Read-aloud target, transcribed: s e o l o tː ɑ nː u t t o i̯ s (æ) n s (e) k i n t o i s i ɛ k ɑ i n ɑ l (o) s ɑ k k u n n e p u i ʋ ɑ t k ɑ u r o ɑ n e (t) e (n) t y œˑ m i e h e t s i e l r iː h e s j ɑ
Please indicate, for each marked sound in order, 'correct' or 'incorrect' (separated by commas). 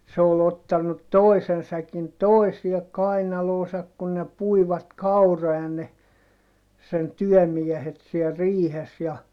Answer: incorrect, incorrect, incorrect, incorrect, correct